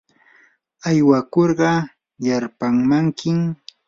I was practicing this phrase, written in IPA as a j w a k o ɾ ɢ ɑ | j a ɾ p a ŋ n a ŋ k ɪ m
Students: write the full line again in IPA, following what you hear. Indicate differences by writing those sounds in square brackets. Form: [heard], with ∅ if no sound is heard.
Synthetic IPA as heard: a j w a k o ɾ ɢ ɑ | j a ɾ p a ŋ [m] a ŋ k ɪ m